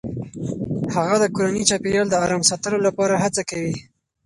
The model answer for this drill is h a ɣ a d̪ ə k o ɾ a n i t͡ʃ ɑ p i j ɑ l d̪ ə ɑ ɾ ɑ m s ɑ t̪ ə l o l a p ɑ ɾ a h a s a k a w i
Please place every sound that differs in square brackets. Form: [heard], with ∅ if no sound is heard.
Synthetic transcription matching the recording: h a ɣ a d̪ ə k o ɾ a n i t͡ʃ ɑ p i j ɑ l d̪ ə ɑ ɾ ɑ m s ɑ t̪ ə l o l a p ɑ ɾ a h a [t͡s] a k a w i